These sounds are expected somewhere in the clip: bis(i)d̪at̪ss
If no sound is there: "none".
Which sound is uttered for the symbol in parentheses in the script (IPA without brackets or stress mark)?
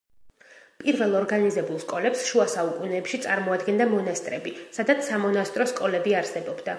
a